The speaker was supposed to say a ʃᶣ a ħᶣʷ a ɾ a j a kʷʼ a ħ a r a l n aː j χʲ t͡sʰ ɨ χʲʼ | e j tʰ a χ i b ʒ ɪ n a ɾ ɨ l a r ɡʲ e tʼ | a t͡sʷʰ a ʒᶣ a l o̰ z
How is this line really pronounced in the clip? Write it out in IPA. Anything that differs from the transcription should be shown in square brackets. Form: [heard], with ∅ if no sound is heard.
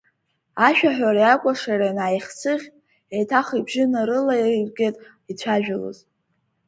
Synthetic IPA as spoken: a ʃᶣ a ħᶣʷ a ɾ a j a kʷʼ a [ʂ] a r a [∅] n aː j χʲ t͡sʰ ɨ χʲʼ | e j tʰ a χ i b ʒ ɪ n a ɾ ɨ l a r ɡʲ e tʼ | [i] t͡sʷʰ a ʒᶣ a l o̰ z